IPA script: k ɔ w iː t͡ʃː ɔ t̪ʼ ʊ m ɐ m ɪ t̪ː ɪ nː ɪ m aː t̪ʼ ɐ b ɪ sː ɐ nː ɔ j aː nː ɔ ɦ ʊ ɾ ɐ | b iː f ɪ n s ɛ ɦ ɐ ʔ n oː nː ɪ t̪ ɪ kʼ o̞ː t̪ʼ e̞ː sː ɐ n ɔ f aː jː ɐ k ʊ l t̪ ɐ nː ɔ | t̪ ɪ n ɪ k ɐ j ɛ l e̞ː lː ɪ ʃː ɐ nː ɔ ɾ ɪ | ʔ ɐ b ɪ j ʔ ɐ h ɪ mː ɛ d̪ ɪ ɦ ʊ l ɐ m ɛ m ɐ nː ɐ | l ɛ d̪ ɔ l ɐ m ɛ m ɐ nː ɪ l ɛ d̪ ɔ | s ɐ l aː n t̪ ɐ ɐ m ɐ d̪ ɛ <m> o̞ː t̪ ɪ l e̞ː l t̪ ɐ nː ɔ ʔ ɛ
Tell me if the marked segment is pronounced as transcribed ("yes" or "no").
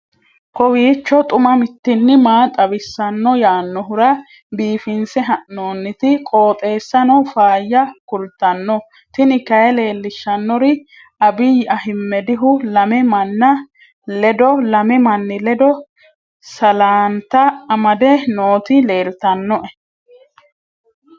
no